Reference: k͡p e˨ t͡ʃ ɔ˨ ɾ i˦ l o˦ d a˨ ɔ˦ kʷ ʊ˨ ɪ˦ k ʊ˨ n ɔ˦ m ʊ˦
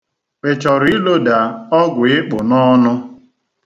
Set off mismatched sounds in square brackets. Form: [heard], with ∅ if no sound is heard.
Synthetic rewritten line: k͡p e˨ t͡ʃ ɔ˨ ɾ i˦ l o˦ d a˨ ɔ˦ [ɡʷ] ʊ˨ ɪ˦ [k͡p] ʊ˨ n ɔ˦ [n] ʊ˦